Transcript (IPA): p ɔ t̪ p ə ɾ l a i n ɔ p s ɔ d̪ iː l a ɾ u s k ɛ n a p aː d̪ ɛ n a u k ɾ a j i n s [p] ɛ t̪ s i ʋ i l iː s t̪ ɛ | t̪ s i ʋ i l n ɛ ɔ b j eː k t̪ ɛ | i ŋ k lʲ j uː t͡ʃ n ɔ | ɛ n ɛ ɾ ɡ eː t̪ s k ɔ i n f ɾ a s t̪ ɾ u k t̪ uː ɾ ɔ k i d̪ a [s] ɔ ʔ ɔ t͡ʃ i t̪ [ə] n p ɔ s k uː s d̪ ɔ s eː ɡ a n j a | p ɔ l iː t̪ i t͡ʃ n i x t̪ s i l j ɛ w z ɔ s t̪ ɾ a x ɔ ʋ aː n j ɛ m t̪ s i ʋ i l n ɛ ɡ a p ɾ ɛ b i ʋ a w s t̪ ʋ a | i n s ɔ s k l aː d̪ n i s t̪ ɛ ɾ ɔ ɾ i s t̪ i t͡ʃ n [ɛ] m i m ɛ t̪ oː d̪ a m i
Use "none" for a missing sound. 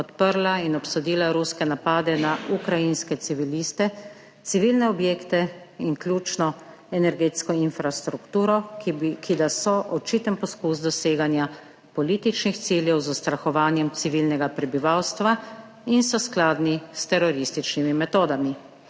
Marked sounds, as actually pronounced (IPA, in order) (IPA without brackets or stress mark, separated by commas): k, s, ə, i